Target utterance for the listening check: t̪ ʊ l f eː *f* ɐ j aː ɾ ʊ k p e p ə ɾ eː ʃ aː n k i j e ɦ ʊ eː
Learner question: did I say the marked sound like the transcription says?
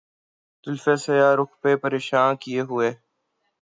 no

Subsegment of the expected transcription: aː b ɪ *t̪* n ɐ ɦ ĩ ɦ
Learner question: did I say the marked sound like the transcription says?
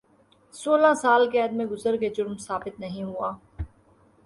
yes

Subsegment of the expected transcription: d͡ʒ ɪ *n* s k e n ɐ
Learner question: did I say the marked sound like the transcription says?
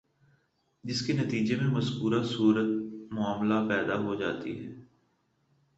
no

